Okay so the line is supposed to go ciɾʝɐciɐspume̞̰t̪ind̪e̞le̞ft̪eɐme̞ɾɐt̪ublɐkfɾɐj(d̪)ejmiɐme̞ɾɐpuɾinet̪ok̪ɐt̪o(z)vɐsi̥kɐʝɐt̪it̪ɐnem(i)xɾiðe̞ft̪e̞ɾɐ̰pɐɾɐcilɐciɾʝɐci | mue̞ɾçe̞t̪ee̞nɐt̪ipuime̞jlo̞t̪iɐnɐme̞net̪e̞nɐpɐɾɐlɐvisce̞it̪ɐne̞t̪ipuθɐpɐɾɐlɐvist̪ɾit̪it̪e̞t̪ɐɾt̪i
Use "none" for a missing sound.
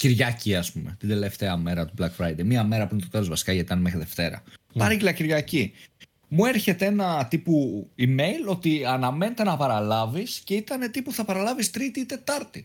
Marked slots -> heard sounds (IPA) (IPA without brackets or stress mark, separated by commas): d̪, z, e